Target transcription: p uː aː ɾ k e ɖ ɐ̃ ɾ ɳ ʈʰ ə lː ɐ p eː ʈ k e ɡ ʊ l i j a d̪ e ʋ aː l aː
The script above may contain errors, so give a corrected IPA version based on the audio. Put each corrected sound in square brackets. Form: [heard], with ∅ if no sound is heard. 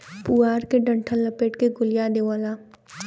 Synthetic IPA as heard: p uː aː ɾ k e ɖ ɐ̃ [∅] ɳ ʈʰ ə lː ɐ p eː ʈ k e ɡ ʊ l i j a d̪ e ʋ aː l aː